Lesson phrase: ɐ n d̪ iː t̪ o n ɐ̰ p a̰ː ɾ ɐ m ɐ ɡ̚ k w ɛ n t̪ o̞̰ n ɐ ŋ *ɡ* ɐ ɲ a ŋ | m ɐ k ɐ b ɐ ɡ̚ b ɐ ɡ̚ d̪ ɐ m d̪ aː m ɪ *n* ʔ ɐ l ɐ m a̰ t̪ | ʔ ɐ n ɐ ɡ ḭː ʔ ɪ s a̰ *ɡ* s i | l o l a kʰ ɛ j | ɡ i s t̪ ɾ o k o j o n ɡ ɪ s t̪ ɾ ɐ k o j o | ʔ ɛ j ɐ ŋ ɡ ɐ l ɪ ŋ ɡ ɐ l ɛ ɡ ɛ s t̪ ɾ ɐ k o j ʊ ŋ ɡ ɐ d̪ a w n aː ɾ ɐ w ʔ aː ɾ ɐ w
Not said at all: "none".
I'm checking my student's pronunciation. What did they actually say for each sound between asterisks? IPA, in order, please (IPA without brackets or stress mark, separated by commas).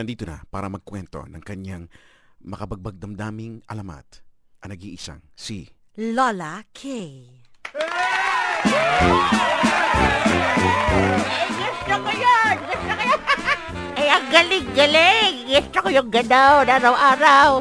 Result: k, ŋ, ŋ